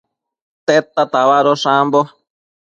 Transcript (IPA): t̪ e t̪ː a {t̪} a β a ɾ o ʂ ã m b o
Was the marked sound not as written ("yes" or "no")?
no